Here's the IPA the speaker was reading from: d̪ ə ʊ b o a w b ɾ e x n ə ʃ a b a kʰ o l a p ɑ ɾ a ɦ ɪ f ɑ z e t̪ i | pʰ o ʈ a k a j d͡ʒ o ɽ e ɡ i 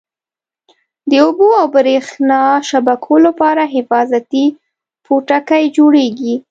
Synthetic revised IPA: d̪ ə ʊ b o a w b ɾ e x n ɑ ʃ a b a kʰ o l a p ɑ ɾ a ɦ ɪ f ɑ z a t̪ i | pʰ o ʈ a k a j d͡ʒ o ɽ e ɡ i